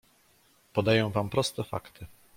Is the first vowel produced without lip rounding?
no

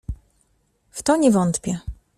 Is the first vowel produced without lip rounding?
no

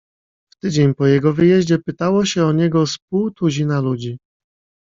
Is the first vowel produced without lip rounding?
yes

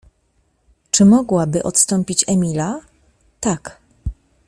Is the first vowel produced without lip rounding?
yes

